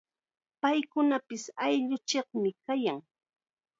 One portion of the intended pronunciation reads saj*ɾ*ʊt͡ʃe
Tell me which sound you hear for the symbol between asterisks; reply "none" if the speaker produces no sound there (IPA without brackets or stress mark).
ʎ